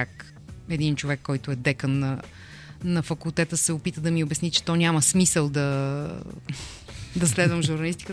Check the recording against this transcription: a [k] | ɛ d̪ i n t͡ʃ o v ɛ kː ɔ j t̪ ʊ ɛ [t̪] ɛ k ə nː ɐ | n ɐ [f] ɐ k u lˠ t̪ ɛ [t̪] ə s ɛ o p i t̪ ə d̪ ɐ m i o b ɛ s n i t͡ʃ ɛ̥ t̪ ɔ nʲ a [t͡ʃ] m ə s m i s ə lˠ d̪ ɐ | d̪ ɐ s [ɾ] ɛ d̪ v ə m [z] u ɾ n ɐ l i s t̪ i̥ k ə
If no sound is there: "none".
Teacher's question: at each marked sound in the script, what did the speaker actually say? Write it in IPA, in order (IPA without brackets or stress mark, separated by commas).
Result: k, d̪, f, t̪, none, l, ʒ